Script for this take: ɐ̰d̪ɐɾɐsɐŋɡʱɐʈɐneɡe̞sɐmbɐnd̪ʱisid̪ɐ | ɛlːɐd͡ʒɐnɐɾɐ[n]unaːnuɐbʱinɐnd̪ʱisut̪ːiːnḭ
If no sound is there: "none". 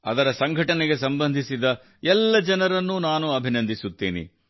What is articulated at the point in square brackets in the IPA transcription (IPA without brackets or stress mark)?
nː